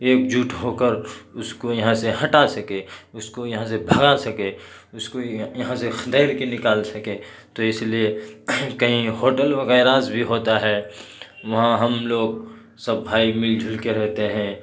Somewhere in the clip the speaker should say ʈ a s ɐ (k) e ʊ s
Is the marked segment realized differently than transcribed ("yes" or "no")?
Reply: no